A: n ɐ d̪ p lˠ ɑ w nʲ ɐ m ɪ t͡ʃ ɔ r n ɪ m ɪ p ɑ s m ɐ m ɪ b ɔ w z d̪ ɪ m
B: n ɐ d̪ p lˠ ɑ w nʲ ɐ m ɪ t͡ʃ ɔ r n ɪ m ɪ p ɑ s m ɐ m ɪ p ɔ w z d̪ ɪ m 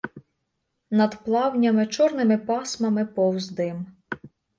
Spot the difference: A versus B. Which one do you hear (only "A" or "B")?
B